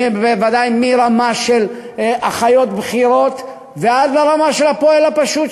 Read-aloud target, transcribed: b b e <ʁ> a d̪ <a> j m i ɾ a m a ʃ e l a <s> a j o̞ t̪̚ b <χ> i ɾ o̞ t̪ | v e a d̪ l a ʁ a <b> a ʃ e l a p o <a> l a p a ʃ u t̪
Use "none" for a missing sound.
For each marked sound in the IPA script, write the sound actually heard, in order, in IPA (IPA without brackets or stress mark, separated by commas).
v, a, χ, χ, m, e